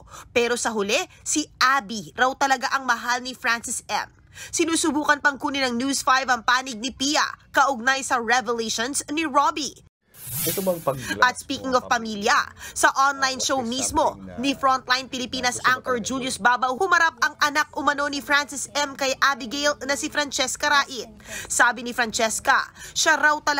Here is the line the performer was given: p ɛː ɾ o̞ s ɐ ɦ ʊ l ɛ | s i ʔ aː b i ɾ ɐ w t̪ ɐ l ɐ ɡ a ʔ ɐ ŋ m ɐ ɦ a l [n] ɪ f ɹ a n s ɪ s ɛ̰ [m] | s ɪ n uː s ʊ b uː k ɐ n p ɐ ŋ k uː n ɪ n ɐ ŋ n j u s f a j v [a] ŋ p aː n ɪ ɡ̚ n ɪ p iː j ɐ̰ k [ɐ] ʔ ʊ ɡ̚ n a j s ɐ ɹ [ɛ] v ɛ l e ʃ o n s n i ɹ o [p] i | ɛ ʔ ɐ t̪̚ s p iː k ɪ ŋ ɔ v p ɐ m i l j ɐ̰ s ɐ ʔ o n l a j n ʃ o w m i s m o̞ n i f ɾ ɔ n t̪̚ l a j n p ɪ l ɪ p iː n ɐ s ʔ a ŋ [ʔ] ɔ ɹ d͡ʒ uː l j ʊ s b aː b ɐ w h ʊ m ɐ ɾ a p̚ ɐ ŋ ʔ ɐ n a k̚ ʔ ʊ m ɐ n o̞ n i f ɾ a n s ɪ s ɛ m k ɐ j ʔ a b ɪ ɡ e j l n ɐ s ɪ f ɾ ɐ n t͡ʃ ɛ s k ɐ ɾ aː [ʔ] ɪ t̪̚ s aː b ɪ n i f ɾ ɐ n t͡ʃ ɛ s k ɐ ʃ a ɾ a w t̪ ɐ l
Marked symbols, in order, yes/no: yes, yes, no, yes, yes, no, no, yes

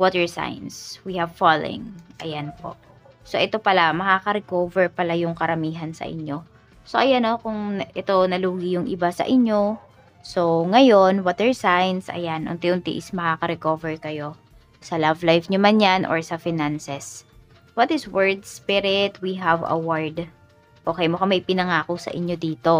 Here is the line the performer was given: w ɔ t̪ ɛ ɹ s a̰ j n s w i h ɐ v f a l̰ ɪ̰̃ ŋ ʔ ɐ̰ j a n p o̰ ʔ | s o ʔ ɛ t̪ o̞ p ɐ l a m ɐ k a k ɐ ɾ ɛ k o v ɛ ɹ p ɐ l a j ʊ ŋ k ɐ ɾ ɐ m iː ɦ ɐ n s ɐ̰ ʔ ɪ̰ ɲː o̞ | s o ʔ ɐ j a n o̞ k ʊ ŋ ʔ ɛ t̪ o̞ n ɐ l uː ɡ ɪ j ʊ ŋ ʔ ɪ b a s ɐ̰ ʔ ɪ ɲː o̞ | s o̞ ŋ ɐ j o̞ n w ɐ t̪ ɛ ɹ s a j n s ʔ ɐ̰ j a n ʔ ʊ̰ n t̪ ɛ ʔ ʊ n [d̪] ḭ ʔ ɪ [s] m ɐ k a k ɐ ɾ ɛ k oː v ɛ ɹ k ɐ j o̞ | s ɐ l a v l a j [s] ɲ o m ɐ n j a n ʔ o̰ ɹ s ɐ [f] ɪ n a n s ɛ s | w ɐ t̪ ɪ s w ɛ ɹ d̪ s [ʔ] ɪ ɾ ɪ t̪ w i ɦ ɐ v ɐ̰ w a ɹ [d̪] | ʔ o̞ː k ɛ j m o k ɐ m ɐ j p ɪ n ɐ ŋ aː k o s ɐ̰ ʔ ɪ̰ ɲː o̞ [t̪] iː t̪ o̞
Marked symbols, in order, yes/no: no, yes, no, yes, no, yes, no

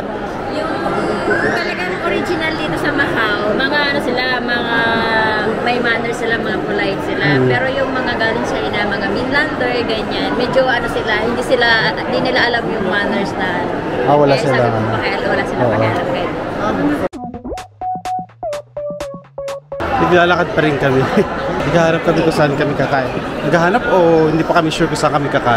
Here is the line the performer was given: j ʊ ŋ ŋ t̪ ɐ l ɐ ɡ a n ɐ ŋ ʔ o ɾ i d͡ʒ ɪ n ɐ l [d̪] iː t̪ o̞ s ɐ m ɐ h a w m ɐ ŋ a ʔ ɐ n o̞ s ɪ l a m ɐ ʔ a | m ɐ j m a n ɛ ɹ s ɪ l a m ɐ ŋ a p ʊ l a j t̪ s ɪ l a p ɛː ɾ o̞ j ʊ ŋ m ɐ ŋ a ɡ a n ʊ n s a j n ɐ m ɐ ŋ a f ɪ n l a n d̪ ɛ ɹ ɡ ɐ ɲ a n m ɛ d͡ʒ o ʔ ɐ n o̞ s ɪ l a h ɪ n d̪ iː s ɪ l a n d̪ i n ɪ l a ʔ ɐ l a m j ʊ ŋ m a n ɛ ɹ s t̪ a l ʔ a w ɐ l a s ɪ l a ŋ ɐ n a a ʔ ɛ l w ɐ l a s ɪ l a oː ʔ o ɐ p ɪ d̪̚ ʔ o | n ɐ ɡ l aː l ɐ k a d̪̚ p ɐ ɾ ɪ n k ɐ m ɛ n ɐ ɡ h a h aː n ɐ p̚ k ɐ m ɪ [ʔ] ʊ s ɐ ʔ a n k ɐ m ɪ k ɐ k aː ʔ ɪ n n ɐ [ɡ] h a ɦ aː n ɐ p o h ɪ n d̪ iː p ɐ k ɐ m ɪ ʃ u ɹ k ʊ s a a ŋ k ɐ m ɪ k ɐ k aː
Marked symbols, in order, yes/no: yes, no, yes

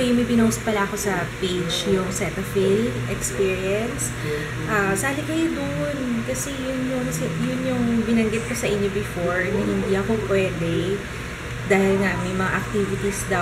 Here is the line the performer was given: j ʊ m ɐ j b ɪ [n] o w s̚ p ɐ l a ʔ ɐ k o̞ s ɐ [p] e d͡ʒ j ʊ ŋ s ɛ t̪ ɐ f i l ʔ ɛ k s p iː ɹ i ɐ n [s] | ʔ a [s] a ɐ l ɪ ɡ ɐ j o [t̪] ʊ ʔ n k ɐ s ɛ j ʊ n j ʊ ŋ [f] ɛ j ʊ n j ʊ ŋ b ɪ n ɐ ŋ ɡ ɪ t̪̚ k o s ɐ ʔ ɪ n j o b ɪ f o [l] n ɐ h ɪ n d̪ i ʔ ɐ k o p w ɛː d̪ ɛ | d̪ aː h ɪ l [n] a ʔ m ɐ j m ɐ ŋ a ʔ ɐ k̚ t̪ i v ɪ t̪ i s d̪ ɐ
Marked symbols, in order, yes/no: yes, yes, yes, yes, no, no, no, no

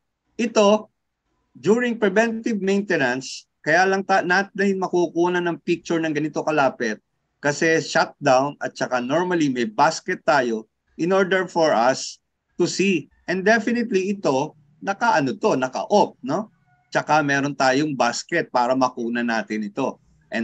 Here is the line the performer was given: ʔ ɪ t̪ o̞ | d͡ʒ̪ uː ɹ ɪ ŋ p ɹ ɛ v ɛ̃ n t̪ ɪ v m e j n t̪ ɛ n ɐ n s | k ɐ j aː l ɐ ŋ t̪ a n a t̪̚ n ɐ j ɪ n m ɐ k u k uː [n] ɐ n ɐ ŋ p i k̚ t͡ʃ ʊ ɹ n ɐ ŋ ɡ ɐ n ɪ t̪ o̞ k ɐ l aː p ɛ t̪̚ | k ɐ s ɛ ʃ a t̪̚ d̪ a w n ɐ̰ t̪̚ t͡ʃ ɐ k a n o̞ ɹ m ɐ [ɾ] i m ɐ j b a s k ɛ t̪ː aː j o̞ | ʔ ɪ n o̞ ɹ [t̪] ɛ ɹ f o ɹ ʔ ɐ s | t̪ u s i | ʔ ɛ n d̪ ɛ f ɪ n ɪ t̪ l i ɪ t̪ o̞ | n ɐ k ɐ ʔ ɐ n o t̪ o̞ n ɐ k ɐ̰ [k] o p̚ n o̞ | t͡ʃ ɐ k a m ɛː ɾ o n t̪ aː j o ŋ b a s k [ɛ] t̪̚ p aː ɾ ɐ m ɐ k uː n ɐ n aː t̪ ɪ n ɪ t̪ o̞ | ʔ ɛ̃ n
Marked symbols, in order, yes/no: yes, no, no, no, yes

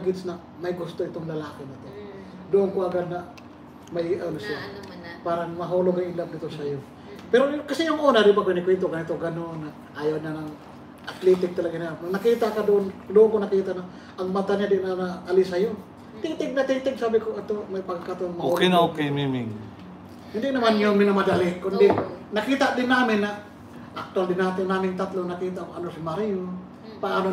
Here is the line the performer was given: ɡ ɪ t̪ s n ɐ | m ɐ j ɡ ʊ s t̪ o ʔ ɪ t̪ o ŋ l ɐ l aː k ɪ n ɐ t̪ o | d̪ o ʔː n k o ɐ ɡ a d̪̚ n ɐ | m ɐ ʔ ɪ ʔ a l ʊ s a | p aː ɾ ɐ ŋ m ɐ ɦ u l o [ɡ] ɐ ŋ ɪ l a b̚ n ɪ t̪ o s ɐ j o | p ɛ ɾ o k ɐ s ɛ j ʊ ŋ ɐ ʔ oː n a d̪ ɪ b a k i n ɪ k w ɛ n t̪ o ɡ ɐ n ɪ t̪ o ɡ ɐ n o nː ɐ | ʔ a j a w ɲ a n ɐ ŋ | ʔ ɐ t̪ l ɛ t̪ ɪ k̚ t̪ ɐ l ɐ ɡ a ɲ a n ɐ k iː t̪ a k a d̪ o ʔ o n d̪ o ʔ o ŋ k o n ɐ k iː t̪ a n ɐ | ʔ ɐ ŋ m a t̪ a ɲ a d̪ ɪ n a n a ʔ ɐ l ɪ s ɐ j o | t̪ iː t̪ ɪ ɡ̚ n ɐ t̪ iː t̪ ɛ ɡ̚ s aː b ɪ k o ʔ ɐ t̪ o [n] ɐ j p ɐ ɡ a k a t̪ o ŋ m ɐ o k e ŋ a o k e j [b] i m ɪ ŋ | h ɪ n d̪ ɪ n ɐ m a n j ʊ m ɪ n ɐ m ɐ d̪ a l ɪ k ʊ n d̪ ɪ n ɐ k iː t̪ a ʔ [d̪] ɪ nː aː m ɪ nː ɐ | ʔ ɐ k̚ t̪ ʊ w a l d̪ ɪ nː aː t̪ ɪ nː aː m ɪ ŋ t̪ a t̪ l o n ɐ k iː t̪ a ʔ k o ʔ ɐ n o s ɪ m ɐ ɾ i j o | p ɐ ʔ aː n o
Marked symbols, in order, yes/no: yes, no, no, yes

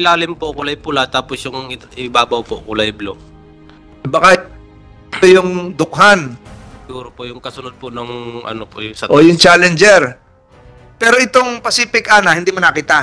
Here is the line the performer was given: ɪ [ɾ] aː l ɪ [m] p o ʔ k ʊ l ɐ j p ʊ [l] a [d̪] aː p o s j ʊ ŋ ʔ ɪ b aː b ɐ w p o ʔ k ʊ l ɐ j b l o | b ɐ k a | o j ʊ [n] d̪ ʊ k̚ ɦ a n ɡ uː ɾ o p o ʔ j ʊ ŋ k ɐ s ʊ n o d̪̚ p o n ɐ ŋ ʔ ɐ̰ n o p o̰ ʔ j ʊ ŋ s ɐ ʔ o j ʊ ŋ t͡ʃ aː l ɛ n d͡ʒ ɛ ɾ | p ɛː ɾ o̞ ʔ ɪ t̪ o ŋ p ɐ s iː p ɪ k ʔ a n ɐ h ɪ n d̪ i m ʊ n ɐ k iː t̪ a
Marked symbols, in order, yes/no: no, yes, yes, no, no

